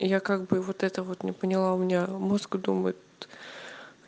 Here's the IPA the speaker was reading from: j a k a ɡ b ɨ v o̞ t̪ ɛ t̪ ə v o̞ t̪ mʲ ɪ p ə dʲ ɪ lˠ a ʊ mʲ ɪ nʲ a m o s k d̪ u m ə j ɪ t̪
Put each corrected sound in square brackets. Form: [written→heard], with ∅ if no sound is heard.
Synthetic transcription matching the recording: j a k a ɡ b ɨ v o̞ t̪ ɛ t̪ ə v o̞ t̪ [mʲ→nʲ] ɪ p ə [dʲ→nʲ] ɪ lˠ a ʊ mʲ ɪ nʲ a m o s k d̪ u m ə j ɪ t̪